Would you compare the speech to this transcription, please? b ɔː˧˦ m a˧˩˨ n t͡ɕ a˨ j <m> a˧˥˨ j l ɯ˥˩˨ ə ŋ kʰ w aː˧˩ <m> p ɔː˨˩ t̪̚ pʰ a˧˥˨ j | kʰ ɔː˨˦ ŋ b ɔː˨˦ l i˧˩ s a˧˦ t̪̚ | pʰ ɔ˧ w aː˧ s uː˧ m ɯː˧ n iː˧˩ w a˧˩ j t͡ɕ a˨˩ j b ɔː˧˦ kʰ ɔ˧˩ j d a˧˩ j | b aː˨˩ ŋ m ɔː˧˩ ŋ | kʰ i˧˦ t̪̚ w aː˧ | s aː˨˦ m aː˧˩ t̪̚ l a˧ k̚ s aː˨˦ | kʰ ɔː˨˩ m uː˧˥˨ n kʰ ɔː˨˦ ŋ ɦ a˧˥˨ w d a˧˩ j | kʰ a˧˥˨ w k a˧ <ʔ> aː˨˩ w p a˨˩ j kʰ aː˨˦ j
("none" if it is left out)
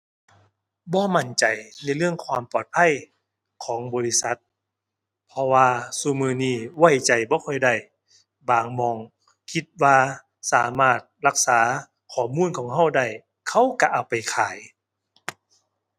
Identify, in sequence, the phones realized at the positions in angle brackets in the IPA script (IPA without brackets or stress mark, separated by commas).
n, m, ʔ